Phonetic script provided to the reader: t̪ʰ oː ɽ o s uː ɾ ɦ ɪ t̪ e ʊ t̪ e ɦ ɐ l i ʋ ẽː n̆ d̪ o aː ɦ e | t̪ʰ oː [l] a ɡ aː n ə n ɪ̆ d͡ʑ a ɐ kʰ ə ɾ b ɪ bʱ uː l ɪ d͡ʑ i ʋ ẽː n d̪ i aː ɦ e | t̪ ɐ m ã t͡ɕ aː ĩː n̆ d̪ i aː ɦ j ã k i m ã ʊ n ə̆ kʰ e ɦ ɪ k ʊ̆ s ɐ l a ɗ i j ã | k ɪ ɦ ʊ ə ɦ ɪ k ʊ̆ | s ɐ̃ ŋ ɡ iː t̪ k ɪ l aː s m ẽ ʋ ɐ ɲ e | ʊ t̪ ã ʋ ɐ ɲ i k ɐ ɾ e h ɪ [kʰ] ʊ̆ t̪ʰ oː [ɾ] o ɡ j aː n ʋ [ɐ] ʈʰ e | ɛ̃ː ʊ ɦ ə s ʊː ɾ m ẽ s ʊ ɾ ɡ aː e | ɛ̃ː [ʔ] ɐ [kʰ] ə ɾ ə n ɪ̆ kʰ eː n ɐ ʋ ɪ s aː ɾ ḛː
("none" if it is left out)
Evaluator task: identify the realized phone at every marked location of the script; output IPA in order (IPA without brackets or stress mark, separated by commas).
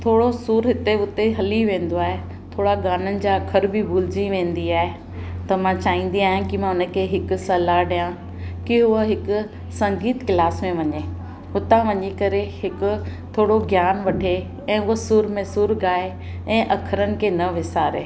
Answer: ɽ, k, ɽ, ɐ, ʔ, kʰ